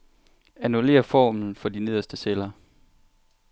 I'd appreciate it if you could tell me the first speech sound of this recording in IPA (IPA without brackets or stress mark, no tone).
æ